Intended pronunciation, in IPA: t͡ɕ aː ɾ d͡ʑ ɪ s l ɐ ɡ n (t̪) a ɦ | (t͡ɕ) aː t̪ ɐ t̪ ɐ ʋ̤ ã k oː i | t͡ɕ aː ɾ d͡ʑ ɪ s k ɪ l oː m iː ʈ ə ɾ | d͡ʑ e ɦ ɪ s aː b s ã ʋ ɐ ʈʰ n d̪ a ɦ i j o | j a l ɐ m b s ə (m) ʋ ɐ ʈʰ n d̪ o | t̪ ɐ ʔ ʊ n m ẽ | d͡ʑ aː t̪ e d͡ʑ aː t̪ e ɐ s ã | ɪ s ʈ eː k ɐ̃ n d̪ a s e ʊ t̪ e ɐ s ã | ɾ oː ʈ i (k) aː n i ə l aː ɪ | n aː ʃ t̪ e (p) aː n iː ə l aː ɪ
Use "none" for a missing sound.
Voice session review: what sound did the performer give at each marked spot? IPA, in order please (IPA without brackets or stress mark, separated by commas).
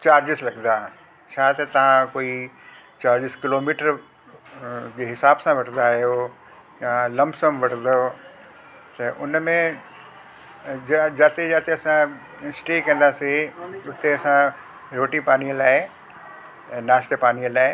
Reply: d̪, t͡ɕʰ, m, p, p